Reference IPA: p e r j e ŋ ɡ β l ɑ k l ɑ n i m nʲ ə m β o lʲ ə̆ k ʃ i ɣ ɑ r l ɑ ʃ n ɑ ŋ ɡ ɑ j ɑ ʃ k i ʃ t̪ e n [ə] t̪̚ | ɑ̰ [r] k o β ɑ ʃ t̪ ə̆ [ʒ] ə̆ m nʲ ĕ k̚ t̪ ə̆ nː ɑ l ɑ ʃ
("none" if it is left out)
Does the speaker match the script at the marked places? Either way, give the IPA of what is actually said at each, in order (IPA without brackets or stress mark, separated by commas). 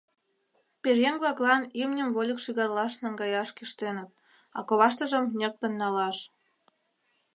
ə, none, ʒ